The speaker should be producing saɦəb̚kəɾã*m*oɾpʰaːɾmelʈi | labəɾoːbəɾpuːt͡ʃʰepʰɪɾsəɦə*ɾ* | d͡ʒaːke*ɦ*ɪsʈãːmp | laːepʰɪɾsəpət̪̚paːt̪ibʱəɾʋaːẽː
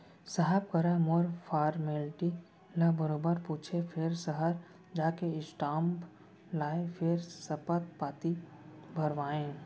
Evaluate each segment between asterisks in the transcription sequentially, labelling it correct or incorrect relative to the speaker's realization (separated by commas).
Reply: correct, correct, incorrect